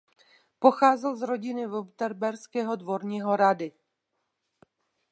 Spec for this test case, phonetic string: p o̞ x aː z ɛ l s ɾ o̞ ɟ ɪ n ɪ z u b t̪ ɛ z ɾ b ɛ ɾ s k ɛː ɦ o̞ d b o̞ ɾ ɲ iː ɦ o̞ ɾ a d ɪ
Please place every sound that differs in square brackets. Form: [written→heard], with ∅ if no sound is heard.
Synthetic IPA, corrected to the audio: p o̞ x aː z ɛ l [s→z] ɾ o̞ ɟ ɪ n ɪ [z→v] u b t̪ ɛ [z→∅] ɾ b ɛ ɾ s k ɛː ɦ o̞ d [b→v] o̞ ɾ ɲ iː ɦ o̞ ɾ a d ɪ